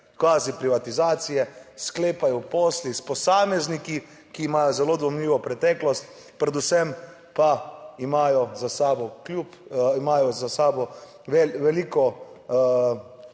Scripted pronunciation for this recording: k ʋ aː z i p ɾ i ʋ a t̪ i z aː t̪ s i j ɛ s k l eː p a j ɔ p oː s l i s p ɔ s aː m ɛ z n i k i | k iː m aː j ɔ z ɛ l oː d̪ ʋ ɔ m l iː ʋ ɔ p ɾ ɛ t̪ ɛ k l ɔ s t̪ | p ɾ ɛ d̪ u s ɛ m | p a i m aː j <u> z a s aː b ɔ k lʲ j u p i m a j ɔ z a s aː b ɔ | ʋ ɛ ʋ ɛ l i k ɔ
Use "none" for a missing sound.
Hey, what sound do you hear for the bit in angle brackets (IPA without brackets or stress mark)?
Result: ɔ